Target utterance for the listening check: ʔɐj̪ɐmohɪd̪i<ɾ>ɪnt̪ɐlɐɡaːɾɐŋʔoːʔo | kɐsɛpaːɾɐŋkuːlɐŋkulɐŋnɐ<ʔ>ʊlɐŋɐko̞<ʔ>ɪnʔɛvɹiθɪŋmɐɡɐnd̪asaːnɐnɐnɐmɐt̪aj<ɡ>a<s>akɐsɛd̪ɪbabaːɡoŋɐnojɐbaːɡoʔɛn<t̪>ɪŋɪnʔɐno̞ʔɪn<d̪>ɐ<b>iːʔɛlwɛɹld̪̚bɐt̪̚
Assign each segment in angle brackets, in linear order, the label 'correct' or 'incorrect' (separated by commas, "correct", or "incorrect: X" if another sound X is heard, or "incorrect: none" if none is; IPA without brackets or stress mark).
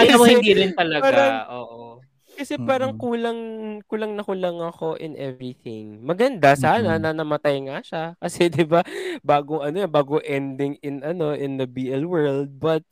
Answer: correct, incorrect: k, correct, incorrect: ŋ, incorrect: ʃ, incorrect: d̪, correct, correct